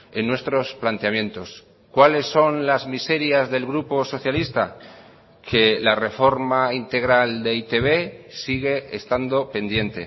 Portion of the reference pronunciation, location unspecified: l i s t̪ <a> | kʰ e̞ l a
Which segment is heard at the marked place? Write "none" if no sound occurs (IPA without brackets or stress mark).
a